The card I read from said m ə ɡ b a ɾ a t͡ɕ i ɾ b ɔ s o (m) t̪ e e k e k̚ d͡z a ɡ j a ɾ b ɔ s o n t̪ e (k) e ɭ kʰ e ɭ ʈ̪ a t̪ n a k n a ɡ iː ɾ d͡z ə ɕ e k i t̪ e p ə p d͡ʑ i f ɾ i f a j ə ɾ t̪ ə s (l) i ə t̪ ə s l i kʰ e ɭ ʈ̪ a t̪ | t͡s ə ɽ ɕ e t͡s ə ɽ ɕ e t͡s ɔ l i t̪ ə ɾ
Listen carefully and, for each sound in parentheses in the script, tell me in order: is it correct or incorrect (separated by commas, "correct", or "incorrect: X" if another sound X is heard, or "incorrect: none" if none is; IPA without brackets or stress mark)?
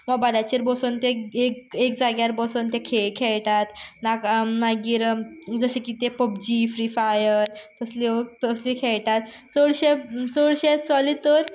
incorrect: n, incorrect: kʰ, correct